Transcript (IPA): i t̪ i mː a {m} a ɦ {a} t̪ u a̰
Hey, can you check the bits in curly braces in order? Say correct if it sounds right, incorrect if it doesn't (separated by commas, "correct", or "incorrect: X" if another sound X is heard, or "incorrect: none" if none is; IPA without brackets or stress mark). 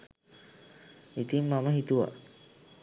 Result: correct, incorrect: i